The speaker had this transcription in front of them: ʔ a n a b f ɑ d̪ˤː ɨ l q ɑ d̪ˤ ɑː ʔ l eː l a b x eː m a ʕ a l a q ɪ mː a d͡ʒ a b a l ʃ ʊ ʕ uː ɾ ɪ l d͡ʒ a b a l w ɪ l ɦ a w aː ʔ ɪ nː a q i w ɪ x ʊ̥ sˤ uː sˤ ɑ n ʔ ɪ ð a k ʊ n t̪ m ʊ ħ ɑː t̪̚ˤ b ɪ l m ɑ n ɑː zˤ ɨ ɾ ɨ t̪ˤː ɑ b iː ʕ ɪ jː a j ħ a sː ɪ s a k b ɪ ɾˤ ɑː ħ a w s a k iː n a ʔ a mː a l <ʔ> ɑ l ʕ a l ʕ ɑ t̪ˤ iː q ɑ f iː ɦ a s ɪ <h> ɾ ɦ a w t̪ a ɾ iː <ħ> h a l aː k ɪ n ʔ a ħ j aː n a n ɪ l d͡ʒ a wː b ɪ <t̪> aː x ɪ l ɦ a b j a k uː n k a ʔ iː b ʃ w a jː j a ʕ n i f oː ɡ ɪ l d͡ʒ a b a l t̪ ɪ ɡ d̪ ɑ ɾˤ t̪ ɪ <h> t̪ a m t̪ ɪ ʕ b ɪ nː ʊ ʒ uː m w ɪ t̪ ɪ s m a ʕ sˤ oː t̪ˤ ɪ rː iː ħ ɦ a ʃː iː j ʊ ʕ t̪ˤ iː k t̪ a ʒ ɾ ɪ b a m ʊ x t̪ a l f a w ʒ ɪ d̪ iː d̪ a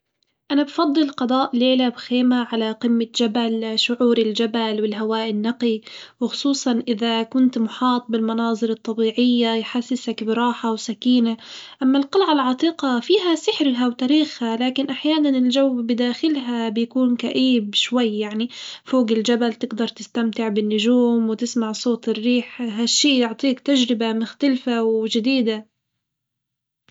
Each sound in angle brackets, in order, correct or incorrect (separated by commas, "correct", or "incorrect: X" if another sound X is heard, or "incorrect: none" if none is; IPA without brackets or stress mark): incorrect: q, incorrect: ħ, incorrect: x, incorrect: d̪, incorrect: s